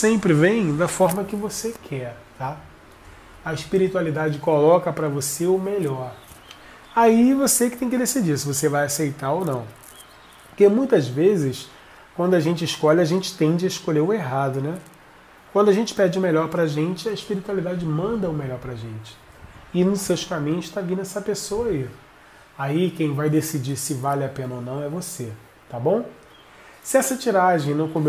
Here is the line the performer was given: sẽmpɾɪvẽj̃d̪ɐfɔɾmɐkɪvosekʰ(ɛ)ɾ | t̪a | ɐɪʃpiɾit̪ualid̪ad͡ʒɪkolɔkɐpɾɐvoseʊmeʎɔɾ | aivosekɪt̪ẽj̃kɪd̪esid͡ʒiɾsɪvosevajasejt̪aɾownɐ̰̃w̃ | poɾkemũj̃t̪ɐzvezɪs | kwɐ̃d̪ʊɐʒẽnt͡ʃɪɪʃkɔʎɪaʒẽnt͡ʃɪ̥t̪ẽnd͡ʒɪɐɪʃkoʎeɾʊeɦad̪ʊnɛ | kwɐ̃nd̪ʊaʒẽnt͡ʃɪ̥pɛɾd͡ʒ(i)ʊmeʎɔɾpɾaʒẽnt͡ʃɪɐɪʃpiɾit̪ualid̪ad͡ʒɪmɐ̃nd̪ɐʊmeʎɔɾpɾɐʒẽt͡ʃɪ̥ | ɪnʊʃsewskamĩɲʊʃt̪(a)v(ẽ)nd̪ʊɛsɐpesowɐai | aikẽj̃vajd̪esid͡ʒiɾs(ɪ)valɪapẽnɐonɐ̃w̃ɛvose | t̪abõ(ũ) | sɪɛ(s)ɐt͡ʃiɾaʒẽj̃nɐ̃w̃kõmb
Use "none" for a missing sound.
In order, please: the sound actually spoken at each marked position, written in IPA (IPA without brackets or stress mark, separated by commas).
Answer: ɛ, ɪ, a, ĩ, ɪ, w̃, s